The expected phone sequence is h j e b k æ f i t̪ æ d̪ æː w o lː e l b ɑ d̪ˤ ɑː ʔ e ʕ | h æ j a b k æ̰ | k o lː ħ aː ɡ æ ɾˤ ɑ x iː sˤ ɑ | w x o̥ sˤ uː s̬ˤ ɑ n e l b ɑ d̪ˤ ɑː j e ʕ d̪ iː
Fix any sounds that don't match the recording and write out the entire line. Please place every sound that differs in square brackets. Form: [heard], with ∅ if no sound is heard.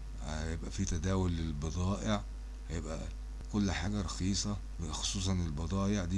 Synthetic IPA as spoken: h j e b [ʔ] æ f i t̪ æ d̪ æː w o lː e l b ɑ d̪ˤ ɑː ʔ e ʕ | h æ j [e] b [ʔ] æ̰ | k o lː ħ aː ɡ æ ɾˤ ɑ x iː sˤ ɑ | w x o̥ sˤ uː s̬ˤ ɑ n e l b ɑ d̪ˤ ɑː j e ʕ d̪ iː